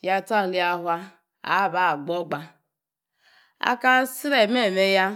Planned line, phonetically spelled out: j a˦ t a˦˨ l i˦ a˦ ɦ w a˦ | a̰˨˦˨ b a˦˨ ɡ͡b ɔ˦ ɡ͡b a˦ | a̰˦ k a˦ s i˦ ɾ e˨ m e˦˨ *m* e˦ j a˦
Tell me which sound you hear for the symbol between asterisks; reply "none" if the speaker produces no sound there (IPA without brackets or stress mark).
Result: m